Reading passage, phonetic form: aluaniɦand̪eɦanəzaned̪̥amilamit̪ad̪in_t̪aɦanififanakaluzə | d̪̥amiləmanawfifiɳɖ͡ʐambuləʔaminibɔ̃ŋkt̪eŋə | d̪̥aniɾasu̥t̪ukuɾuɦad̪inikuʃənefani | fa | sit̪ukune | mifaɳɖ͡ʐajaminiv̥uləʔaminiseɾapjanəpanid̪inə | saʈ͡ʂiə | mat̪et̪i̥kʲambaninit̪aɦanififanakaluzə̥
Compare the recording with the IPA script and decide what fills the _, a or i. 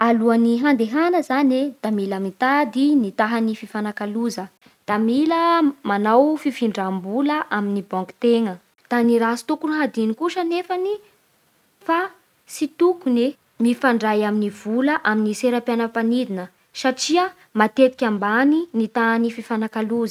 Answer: i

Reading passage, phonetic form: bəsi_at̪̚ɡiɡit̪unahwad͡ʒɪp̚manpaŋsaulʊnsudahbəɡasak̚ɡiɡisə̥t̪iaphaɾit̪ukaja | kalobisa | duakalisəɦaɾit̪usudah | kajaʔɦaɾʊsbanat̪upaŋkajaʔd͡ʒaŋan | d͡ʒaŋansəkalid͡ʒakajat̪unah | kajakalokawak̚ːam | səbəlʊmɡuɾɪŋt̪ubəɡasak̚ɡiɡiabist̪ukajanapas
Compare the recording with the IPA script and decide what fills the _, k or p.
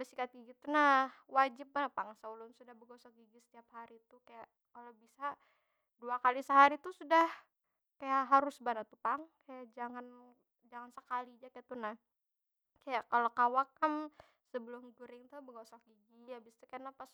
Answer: k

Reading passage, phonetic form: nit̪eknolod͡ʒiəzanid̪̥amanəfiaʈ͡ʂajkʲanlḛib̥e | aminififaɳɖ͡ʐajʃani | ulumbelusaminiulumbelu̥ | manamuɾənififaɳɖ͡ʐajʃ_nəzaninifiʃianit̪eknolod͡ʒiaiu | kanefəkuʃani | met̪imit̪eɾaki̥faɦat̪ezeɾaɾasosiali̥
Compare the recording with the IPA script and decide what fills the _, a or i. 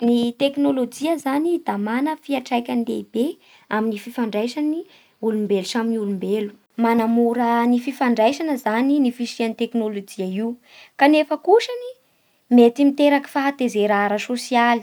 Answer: a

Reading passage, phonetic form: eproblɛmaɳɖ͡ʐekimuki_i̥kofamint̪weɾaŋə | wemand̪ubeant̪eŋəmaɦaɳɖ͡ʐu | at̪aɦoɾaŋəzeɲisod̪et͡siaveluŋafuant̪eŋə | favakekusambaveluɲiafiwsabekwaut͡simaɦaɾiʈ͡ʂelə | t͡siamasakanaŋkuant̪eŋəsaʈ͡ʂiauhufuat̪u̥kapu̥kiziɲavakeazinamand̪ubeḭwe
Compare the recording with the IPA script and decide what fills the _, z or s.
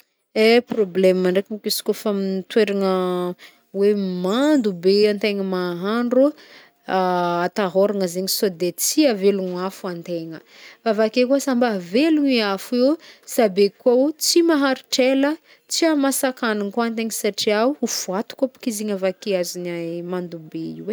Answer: s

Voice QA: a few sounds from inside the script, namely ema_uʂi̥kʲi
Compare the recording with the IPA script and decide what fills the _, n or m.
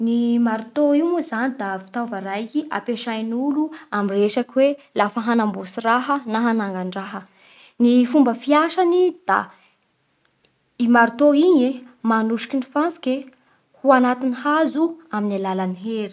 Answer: n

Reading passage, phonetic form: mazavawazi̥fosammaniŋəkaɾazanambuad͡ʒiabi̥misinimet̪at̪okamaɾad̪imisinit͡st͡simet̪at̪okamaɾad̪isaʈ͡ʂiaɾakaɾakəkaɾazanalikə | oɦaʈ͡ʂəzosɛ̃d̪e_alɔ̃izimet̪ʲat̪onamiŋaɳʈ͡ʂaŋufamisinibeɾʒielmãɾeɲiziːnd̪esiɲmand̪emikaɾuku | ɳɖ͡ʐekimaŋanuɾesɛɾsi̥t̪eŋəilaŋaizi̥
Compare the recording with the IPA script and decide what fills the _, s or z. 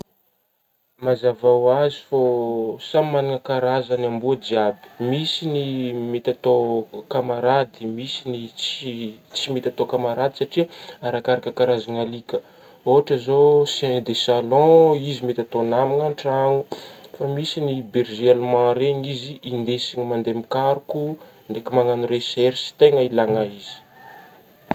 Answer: s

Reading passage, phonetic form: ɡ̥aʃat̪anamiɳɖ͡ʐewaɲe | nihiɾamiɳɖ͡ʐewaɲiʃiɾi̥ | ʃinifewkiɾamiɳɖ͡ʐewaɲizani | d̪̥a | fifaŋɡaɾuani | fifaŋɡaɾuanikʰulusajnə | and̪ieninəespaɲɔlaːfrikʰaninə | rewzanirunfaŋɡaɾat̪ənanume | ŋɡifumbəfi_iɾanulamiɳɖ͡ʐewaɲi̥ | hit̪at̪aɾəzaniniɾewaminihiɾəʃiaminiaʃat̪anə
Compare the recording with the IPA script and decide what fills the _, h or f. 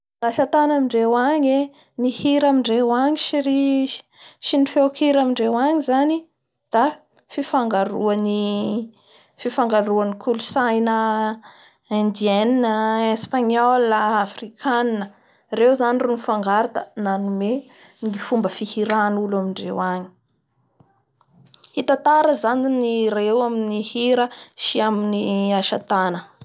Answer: h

